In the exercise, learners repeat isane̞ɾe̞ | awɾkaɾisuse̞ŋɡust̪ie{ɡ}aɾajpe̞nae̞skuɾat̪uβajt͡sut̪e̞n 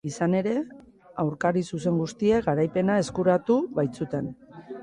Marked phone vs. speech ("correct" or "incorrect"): correct